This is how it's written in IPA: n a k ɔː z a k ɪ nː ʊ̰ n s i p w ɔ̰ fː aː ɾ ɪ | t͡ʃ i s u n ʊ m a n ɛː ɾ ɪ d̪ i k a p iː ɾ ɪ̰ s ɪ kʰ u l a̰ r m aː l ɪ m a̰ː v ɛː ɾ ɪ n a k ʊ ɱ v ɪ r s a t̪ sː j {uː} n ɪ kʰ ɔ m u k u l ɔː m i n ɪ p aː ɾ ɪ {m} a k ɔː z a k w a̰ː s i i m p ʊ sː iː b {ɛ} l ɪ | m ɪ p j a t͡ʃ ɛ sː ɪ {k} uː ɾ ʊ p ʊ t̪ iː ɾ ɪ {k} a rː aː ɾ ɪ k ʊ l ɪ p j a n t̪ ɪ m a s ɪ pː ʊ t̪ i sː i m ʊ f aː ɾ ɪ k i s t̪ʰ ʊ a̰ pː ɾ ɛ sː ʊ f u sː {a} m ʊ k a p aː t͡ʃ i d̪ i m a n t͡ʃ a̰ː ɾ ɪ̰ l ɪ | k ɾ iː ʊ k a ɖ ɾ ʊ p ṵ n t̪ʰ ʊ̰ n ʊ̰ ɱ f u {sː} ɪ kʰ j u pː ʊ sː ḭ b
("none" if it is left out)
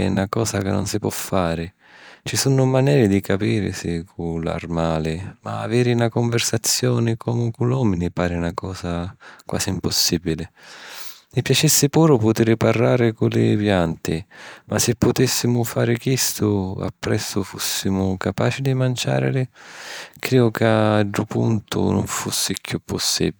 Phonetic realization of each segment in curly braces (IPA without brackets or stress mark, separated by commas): ɔː, n, i, p, p, i, sː